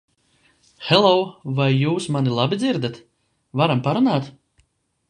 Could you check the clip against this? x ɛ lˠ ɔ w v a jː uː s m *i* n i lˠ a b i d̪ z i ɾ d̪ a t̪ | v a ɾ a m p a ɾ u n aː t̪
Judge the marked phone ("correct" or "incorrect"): incorrect